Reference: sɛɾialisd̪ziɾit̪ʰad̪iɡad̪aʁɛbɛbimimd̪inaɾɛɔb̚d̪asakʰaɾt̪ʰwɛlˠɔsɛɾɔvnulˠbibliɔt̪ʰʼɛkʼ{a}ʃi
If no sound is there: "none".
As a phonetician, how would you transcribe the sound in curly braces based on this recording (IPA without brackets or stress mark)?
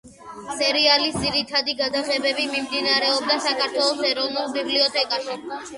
a